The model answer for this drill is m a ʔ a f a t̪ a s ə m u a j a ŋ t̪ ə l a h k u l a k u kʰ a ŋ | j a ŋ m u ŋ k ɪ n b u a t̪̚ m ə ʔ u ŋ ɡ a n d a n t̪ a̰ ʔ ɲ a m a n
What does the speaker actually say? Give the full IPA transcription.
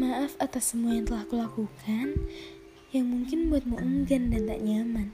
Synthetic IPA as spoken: m a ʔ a f a t̪ a s ə m u a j a ŋ t̪ ə l a h k u l a k u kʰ a n | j a ŋ m u ŋ k ɪ n b u a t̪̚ m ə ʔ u ŋ ɡ a n d a n t̪ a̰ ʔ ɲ a m a n